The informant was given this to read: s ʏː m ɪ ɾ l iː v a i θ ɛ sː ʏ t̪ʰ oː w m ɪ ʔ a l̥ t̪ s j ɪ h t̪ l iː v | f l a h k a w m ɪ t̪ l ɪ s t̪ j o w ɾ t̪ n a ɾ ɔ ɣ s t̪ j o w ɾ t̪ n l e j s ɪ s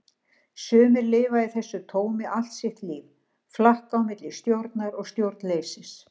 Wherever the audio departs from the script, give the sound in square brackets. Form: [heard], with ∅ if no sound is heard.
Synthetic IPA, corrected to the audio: s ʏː m ɪ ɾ l [ɪː] v a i θ ɛ sː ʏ t̪ʰ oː w m ɪ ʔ a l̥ t̪ s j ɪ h t̪ l iː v | f l a h k a w m ɪ t̪ l ɪ s t̪ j o w ɾ t̪ n a ɾ ɔ ɣ s t̪ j o w ɾ t̪ n l e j s ɪ s